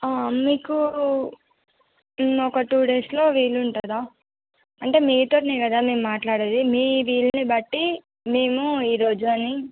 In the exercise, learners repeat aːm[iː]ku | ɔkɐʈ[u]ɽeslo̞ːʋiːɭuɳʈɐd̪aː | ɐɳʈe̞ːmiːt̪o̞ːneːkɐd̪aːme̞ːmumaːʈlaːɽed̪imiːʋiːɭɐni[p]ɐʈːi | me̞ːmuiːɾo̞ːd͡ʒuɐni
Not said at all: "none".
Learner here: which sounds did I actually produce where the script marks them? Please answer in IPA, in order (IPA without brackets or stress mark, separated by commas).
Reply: iː, uː, b